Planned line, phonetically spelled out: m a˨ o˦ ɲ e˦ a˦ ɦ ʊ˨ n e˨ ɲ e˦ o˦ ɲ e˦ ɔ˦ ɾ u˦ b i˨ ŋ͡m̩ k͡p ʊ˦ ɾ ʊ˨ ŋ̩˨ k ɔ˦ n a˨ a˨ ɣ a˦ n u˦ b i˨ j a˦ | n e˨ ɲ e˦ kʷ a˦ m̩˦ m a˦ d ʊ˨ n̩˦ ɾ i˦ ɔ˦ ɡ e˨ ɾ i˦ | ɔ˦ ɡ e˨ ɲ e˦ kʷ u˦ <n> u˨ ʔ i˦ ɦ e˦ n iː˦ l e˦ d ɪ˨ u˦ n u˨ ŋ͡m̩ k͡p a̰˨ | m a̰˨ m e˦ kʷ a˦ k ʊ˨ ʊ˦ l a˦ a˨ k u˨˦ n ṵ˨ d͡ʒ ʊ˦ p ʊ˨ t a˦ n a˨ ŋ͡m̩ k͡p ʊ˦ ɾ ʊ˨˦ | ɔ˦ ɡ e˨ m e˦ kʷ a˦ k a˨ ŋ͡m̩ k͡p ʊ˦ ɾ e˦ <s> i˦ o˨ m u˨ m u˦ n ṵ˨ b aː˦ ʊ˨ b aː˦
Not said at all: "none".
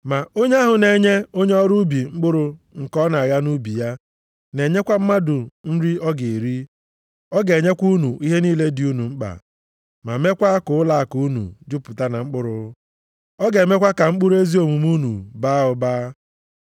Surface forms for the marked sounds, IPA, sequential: n, z

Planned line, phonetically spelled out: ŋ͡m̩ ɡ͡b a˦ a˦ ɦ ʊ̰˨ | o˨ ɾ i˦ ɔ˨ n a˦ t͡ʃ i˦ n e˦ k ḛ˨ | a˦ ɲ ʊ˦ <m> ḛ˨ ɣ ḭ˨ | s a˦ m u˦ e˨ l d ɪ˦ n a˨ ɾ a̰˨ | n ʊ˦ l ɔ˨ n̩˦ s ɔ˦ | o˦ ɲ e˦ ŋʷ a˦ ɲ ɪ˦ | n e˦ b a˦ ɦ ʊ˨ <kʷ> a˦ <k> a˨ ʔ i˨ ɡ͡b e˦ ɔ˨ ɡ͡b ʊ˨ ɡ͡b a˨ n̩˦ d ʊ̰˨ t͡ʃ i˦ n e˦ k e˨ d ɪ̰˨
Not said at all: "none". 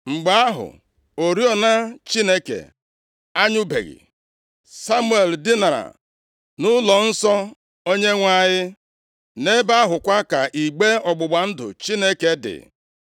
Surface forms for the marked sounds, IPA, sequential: b, kʷ, k

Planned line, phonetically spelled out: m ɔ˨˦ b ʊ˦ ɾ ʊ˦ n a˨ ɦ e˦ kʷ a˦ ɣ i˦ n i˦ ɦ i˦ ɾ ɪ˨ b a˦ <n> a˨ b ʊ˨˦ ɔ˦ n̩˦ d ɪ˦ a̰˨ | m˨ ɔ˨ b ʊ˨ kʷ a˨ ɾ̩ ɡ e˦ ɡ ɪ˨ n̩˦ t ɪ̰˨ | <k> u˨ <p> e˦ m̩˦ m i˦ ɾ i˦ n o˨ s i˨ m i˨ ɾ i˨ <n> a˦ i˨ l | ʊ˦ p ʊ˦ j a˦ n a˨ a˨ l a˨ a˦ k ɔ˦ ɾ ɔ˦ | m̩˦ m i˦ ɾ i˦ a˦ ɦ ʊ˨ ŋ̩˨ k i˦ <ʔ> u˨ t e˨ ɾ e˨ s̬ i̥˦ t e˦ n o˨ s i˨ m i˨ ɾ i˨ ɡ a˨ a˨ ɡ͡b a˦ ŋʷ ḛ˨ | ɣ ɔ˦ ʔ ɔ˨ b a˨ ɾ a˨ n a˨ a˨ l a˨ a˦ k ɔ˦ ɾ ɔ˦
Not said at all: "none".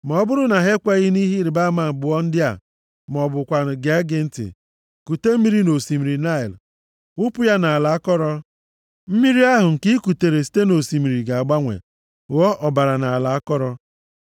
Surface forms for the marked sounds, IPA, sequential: m, k, t, n, k

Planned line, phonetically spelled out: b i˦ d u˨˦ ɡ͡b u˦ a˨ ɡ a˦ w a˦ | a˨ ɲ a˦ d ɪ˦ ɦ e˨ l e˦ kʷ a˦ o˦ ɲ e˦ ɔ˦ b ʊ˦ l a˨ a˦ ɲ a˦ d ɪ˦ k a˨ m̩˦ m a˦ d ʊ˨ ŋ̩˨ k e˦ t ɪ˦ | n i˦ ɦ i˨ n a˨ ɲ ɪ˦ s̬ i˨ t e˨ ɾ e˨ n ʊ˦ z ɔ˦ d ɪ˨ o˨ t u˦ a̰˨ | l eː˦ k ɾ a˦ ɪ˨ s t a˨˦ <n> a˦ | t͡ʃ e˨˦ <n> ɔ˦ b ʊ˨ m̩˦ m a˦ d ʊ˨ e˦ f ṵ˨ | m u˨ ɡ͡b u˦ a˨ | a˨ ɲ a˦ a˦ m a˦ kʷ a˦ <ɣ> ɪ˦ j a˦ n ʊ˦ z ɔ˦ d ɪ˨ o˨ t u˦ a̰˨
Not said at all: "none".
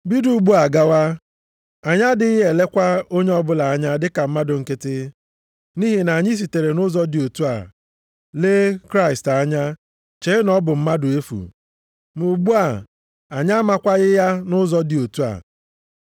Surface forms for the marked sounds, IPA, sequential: ɲ, n, ɣ

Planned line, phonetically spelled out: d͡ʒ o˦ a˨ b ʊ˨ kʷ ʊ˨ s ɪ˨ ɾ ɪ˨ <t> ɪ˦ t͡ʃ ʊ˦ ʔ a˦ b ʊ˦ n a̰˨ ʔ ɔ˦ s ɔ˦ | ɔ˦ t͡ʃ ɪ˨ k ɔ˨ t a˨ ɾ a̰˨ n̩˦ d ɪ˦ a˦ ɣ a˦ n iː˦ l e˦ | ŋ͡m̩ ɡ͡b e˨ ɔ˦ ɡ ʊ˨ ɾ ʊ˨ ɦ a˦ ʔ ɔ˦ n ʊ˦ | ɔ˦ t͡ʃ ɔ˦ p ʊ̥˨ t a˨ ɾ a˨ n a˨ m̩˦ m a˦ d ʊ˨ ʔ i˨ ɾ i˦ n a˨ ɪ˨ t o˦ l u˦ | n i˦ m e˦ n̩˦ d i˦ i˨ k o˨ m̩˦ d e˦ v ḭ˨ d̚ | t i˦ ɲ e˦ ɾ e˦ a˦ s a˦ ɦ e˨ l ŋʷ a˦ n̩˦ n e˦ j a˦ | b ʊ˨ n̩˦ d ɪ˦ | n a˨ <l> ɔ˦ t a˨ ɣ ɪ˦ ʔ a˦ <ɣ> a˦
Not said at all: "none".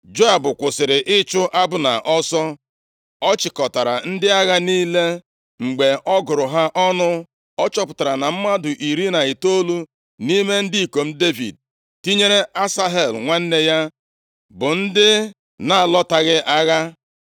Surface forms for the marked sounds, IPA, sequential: ʔ, l, ɣ

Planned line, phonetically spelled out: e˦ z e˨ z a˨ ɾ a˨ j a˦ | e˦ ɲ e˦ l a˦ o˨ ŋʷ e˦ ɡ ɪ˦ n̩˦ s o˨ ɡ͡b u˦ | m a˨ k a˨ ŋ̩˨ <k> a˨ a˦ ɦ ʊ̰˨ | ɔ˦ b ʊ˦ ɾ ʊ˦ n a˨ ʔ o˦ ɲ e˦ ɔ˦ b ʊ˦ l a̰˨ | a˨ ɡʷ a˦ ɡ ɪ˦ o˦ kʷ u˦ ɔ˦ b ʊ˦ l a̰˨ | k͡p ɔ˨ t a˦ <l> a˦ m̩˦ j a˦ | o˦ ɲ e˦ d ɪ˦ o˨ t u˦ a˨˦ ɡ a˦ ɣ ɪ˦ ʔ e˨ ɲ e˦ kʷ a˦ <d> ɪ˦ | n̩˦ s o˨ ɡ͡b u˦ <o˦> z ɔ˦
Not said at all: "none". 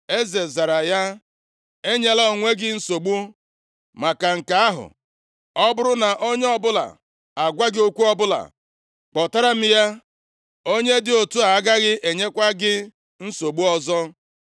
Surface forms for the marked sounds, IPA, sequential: k, ɾ, ɡ, ɔ˦

